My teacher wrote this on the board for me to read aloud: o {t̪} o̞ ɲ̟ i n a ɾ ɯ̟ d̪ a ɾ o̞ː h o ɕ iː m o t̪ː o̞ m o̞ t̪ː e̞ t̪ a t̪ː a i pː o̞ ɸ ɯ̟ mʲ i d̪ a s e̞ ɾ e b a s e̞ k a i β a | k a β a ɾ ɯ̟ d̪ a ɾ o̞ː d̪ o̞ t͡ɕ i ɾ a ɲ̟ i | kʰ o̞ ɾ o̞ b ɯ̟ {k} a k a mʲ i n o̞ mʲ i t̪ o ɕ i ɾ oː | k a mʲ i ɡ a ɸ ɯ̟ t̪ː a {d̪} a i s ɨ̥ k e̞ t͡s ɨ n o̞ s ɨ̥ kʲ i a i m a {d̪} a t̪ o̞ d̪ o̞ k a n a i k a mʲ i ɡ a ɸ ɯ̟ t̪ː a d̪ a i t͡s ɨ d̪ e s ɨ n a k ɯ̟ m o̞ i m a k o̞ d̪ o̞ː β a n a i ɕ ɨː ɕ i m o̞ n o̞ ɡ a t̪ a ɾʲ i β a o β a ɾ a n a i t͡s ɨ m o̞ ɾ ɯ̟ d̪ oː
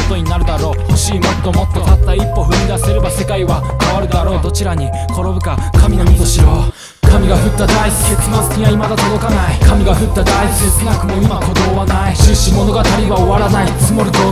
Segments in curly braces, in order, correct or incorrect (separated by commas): correct, correct, correct, correct